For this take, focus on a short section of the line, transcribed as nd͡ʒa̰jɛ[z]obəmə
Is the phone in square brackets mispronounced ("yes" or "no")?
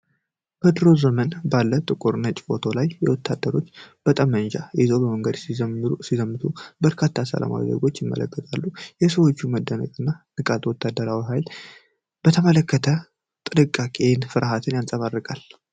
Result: no